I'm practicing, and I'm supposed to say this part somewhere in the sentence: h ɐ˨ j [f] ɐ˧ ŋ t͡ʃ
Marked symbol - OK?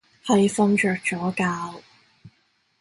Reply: yes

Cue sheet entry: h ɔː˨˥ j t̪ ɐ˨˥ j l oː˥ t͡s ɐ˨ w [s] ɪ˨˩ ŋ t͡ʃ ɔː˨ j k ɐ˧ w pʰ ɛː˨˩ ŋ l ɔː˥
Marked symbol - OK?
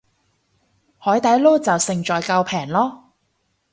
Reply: yes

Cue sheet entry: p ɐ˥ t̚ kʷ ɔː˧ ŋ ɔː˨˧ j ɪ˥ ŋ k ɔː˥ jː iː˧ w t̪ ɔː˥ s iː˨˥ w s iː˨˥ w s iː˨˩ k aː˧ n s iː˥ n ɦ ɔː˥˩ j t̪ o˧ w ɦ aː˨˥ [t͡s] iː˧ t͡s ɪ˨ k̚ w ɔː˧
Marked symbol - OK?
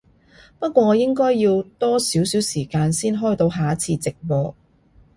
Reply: no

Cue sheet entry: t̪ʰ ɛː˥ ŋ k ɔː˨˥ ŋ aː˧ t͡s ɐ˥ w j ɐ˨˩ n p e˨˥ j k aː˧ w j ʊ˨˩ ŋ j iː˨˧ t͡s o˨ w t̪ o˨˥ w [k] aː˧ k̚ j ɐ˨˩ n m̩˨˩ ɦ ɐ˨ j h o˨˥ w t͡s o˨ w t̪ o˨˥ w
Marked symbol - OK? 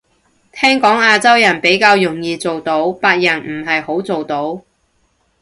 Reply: no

